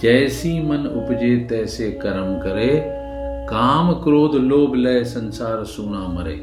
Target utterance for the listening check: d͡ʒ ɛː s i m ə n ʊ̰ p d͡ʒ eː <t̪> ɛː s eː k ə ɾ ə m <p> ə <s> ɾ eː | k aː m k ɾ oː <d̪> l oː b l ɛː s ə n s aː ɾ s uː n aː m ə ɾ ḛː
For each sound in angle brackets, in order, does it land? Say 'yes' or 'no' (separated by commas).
yes, no, no, yes